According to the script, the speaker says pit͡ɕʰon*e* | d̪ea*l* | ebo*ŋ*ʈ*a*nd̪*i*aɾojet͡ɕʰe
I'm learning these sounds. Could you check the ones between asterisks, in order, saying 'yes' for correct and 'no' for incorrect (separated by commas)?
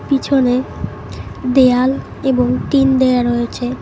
yes, yes, yes, no, no